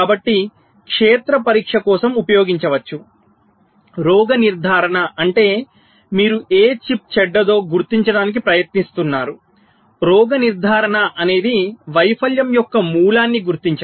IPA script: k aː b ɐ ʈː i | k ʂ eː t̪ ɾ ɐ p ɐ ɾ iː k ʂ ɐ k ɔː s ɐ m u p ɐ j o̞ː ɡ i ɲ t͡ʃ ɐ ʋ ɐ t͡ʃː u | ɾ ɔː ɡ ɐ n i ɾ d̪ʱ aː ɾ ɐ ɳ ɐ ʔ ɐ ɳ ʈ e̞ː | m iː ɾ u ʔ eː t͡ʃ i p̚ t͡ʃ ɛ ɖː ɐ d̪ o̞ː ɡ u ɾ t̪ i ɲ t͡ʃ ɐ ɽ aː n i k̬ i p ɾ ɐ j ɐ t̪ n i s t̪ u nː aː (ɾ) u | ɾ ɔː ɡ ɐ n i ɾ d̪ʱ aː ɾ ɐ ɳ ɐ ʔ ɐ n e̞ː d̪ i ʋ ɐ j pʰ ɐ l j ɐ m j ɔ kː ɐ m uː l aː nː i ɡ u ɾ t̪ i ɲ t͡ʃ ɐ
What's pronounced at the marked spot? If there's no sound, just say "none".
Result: ɾ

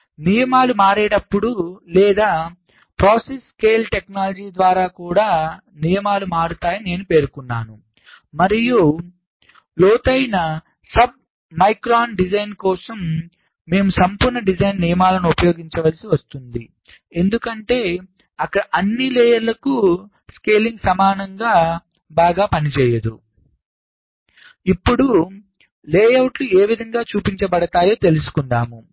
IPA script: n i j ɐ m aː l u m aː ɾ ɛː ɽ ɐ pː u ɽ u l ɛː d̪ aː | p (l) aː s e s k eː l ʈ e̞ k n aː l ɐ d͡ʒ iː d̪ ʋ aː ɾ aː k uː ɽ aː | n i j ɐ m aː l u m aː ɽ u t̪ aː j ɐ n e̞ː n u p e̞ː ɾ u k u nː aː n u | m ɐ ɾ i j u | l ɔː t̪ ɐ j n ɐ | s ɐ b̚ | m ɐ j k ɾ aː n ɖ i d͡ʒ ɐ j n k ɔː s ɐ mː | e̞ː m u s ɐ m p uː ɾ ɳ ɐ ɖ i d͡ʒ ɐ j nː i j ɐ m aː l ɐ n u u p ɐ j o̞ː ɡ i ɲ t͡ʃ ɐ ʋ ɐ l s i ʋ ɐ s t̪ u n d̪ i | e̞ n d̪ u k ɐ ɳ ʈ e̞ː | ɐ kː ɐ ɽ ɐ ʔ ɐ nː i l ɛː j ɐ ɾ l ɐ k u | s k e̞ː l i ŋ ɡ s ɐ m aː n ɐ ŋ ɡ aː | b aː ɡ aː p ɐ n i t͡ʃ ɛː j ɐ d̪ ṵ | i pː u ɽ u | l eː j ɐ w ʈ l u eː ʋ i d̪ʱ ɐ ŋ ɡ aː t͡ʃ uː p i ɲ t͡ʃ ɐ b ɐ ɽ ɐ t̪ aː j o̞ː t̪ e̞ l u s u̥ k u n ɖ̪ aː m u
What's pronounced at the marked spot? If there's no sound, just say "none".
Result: ɾ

